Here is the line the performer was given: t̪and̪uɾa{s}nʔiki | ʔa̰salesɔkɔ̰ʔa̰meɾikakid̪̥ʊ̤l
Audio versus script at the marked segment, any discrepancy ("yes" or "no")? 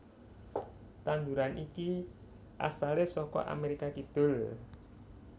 yes